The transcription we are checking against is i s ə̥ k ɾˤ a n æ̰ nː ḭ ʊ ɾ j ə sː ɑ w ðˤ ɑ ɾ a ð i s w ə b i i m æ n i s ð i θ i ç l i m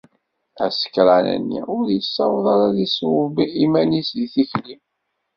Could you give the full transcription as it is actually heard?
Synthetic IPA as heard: æ s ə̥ k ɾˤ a n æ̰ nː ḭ ʊ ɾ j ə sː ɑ w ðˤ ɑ ɾ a ð i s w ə b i i m æ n i s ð i θ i ç l i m